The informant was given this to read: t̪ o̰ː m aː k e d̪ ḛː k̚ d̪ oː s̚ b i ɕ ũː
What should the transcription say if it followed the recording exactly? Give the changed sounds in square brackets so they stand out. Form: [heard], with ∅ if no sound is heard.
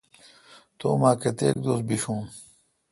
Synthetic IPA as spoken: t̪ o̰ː m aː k e [t̪] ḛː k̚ d̪ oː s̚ b i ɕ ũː